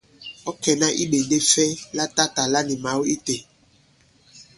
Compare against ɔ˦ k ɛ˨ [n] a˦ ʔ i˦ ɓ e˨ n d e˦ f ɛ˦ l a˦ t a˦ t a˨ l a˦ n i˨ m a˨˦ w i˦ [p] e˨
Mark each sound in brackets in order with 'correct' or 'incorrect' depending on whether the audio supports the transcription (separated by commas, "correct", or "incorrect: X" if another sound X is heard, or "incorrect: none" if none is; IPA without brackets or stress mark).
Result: correct, incorrect: t